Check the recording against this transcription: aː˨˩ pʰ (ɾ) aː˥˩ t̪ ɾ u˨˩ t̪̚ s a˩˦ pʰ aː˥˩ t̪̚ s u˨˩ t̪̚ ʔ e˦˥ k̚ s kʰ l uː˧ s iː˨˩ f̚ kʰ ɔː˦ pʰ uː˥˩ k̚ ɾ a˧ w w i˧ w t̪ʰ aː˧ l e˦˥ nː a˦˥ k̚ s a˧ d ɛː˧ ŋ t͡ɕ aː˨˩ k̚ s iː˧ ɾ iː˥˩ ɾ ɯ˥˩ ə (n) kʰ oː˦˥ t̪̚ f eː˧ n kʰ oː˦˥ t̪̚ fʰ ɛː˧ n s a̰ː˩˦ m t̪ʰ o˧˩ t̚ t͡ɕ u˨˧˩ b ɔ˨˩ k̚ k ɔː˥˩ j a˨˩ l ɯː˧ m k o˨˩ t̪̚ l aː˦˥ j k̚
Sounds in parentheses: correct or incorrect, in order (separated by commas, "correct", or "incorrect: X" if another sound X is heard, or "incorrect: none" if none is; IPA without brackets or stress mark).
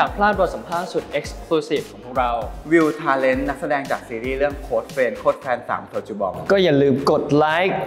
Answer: incorrect: l, incorrect: ŋ